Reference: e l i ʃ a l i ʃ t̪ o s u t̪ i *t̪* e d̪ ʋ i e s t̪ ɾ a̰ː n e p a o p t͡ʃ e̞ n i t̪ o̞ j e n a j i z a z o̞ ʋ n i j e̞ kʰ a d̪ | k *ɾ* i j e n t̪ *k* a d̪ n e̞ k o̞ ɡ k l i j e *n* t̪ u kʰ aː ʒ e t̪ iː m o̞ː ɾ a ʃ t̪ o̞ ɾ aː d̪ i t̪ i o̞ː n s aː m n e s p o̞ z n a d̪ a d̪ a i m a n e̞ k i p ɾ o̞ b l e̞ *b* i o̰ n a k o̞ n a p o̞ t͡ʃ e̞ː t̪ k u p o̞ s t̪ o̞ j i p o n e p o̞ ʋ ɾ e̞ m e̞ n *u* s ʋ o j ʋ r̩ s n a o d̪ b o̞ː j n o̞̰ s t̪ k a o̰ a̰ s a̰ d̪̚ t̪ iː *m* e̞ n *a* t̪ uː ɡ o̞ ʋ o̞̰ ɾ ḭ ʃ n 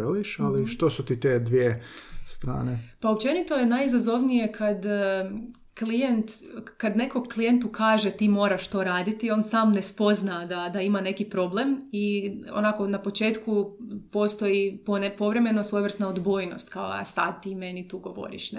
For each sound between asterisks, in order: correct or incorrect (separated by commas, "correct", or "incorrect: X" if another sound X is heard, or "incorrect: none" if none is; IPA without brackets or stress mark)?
correct, incorrect: l, correct, correct, incorrect: m, incorrect: o, correct, incorrect: i